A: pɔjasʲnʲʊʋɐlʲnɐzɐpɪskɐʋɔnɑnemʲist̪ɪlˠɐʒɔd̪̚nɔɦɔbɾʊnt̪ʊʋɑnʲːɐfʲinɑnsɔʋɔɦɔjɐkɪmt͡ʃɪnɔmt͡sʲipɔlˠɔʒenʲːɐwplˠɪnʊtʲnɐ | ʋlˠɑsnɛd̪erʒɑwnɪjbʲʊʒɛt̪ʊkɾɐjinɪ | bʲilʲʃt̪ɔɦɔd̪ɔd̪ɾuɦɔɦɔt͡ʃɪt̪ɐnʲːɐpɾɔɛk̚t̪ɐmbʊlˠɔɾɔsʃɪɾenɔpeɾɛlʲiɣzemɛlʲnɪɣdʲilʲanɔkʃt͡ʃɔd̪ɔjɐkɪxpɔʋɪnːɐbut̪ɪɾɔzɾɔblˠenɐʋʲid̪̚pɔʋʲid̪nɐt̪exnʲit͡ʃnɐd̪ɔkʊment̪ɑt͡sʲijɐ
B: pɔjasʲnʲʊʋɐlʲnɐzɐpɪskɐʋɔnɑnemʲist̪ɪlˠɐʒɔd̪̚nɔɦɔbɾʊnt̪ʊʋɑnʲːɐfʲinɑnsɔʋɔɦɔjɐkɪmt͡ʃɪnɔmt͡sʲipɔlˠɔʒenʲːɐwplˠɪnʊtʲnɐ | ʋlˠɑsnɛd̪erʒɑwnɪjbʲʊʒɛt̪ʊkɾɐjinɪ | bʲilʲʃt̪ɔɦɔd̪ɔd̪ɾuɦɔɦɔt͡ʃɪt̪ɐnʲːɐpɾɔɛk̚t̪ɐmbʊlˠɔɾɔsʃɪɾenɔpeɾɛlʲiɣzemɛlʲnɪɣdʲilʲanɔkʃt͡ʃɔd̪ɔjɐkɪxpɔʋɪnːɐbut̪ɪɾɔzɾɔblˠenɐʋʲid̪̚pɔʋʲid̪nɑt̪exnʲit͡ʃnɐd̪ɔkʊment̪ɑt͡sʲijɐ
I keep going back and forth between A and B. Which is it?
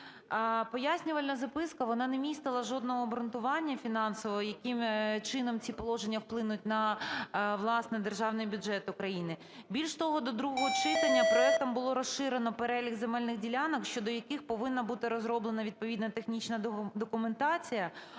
A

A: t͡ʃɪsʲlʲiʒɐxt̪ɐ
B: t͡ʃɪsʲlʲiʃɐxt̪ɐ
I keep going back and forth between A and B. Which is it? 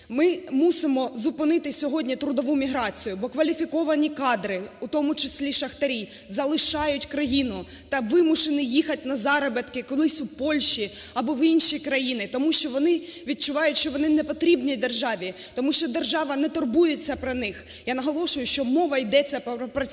B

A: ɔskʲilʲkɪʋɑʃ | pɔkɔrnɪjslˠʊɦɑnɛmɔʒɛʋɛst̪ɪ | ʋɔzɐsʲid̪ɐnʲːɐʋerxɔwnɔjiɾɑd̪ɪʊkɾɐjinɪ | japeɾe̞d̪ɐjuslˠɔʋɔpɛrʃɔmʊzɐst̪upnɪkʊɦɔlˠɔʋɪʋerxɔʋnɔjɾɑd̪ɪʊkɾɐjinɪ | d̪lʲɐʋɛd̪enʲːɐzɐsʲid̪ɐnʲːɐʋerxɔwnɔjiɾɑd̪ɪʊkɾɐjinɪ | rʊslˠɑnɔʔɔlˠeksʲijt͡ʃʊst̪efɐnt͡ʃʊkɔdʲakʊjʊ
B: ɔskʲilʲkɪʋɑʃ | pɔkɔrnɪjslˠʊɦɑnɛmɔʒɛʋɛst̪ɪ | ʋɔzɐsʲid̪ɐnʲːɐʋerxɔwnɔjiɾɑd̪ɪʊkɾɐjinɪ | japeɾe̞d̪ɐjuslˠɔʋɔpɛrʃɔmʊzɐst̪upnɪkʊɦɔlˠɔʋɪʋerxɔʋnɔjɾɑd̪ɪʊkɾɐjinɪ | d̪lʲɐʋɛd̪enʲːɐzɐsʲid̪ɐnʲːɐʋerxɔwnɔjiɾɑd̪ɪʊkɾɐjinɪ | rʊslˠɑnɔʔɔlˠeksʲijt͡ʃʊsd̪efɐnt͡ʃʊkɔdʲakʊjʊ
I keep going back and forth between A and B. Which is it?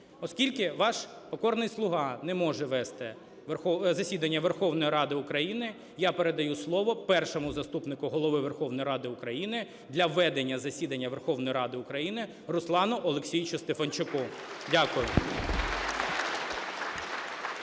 A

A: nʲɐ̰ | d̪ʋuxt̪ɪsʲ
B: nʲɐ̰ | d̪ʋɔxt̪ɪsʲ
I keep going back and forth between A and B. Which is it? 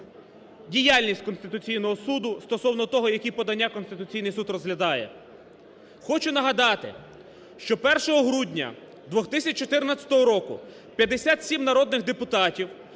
B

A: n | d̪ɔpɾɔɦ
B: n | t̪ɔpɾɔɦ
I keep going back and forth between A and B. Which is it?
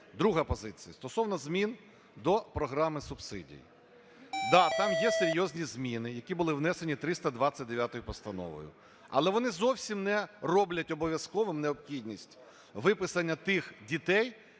A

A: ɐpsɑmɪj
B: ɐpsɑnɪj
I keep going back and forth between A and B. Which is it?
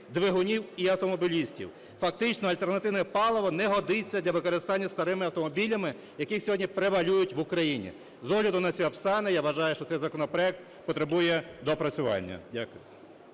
B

